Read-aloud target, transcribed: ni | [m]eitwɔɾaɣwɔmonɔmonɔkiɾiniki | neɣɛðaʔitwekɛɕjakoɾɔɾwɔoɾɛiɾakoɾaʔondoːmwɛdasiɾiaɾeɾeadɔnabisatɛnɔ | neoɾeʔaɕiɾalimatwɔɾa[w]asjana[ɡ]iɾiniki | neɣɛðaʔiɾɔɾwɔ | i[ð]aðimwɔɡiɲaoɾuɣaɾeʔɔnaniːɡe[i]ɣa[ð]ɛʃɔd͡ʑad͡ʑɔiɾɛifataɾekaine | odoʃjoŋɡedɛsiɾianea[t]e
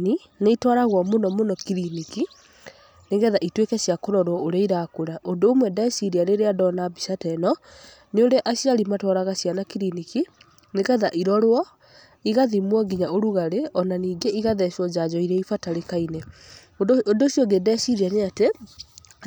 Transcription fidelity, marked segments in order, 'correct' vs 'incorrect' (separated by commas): incorrect, incorrect, incorrect, incorrect, correct, correct, correct